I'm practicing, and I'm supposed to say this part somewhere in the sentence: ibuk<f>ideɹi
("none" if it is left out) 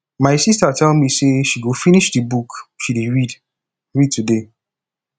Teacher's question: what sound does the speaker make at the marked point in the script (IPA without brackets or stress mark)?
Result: ʃ